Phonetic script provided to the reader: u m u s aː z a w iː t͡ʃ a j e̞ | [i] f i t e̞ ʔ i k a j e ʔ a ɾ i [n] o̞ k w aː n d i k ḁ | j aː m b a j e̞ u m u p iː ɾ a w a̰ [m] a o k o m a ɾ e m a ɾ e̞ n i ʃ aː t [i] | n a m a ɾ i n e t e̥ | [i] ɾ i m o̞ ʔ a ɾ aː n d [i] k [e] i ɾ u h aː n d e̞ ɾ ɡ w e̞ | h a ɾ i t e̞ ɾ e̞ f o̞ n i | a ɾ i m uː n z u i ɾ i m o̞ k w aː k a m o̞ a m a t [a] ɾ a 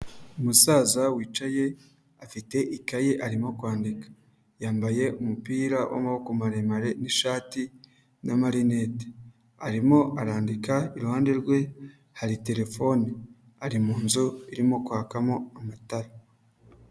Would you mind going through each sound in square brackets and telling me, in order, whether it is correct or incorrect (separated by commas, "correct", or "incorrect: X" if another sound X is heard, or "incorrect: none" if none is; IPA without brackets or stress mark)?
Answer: incorrect: a, incorrect: m, correct, correct, incorrect: a, correct, incorrect: a, correct